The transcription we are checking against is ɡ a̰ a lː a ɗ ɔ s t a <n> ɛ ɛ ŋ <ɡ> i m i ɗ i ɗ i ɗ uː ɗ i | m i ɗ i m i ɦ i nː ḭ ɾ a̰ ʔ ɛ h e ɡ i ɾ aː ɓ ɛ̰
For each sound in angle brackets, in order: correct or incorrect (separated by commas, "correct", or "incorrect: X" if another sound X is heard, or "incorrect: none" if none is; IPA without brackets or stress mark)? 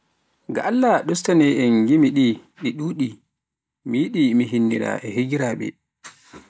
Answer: correct, correct